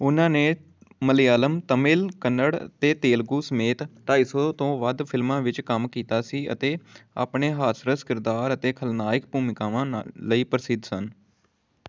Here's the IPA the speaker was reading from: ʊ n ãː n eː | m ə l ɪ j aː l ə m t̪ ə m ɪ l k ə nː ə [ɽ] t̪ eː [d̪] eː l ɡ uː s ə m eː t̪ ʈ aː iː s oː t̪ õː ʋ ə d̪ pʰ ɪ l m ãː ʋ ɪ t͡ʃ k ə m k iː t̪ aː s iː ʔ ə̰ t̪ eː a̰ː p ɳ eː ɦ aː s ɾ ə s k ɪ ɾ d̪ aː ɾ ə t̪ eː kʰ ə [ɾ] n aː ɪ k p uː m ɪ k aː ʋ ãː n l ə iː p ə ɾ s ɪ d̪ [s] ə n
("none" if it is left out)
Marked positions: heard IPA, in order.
ɽ, t̪, l, s

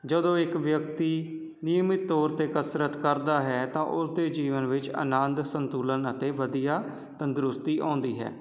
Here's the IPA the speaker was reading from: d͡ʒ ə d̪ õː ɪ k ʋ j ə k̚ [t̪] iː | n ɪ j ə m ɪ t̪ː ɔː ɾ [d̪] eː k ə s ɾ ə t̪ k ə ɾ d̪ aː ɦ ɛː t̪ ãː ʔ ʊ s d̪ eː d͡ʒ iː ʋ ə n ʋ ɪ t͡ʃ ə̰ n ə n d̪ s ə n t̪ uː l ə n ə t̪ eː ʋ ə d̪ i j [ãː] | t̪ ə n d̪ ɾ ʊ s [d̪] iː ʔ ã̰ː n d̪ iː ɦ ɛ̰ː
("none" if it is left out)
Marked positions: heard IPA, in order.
t̪, t̪, aː, t̪

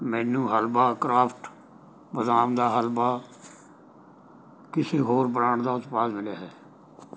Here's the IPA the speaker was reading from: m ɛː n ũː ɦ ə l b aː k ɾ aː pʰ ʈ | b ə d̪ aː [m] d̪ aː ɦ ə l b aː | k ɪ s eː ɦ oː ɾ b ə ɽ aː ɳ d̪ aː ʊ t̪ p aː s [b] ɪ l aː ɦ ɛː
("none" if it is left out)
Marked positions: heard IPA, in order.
m, m

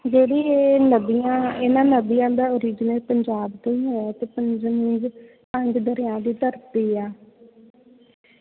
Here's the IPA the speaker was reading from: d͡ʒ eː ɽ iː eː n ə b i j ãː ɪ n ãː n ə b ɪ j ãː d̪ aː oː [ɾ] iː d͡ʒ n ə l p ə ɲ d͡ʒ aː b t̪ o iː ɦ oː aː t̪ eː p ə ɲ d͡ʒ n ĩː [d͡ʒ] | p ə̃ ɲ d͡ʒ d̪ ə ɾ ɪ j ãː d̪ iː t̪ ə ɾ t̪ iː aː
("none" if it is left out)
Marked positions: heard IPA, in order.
ɾ, d͡ʒ

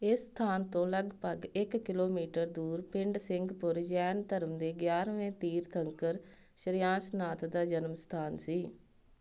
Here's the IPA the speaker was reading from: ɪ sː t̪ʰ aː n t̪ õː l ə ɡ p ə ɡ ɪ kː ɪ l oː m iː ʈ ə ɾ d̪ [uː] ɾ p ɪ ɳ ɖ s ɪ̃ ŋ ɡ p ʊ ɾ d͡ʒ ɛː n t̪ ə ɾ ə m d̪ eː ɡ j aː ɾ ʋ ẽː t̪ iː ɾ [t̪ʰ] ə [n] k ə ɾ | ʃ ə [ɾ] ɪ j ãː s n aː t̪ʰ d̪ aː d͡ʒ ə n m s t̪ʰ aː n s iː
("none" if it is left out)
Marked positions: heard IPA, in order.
uː, t̪ʰ, ŋ, ɾ

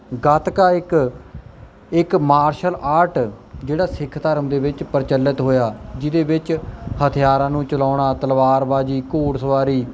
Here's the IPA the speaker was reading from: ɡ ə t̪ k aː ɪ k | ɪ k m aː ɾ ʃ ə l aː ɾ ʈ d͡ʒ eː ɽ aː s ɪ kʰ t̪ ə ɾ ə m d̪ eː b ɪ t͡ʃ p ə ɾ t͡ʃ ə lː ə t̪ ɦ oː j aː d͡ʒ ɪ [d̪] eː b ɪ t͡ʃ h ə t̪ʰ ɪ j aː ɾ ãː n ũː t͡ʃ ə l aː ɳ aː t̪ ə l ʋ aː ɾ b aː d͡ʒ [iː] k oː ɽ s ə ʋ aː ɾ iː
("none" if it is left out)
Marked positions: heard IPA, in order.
d̪, iː

